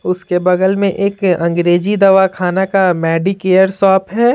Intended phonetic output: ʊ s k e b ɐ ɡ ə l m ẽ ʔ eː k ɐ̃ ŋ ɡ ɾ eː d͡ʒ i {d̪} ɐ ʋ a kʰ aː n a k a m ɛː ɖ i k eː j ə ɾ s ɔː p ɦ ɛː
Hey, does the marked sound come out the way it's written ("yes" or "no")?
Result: yes